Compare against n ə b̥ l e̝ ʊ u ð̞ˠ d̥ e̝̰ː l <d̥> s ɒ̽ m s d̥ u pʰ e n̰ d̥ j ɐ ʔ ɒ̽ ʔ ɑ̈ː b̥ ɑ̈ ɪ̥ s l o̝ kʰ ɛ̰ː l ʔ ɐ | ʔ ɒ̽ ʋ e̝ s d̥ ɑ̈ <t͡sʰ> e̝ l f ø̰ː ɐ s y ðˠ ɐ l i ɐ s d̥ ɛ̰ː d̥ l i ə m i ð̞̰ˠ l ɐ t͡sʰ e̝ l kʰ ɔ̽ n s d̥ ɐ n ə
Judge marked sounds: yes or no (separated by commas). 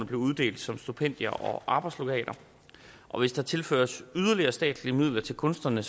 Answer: yes, yes